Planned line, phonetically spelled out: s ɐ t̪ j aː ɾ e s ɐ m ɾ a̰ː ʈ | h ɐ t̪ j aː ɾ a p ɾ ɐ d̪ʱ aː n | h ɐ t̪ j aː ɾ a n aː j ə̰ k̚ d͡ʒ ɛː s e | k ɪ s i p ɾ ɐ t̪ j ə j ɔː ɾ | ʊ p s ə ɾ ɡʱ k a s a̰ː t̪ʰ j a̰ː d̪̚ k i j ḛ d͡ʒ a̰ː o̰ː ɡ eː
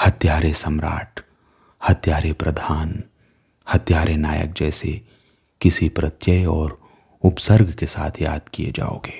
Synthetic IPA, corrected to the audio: h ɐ t̪ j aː ɾ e s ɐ m ɾ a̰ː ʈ | h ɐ t̪ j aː ɾ e p ɾ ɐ d̪ʱ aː n | h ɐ t̪ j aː ɾ e n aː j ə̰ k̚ d͡ʒ ɛː s e | k ɪ s i p ɾ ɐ t̪ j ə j ɔː ɾ | ʊ p s ə ɾ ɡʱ k e s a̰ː t̪ʰ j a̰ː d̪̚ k i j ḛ d͡ʒ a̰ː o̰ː ɡ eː